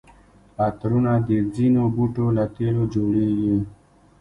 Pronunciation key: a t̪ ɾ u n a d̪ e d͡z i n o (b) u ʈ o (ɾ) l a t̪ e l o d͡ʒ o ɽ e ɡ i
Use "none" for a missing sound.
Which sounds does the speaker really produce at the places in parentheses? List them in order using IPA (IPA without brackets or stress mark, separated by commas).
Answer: b, none